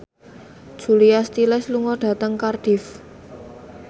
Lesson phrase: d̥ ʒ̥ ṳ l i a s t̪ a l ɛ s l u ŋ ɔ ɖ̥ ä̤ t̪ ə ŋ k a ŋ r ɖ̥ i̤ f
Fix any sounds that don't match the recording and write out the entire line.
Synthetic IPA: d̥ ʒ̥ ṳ l i a s t̪ i l ɛ s l u ŋ ɔ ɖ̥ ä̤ t̪ ə ŋ k a r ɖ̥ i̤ f